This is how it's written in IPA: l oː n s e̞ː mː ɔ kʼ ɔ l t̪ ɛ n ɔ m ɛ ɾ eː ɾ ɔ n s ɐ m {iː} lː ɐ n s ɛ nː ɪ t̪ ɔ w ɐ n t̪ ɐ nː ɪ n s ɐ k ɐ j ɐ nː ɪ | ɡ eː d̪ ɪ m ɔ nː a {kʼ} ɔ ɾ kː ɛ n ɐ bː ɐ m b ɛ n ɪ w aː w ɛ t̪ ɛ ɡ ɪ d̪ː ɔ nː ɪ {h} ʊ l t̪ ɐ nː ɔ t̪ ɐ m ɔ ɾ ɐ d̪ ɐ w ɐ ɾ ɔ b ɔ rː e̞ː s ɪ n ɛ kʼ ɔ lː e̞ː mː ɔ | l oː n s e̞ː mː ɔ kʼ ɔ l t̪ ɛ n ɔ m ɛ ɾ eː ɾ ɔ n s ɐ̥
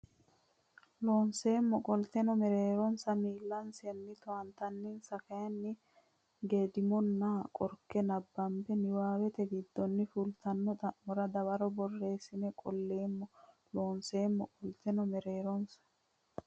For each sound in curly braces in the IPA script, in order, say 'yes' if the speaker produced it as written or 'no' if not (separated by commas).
yes, yes, no